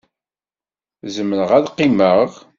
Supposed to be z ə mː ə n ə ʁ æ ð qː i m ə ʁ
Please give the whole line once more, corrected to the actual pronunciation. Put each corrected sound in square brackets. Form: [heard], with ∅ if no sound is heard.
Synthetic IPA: z ə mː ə n ə ʁ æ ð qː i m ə ʁ